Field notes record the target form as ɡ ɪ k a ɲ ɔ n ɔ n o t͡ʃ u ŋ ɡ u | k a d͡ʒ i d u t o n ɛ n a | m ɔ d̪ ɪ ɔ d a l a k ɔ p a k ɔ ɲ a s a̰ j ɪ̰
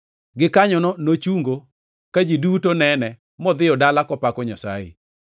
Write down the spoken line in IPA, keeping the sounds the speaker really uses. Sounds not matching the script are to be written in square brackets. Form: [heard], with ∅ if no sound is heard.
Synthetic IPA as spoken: ɡ ɪ k a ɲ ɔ n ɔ n o t͡ʃ u ŋ ɡ [o] | k a d͡ʒ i d u t o n ɛ n [ɛ] | m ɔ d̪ ɪ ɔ d a l a k ɔ p a k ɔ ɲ a s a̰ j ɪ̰